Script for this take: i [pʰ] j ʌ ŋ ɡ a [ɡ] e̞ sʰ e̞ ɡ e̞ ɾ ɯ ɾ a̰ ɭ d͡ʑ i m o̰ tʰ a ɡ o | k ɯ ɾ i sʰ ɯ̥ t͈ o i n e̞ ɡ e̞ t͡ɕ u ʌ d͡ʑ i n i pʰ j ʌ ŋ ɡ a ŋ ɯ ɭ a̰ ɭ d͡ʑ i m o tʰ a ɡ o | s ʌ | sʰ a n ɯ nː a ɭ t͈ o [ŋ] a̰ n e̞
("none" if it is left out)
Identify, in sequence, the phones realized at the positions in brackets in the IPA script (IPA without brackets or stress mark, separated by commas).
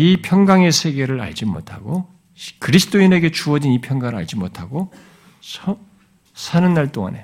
pʰ, ŋ, ŋ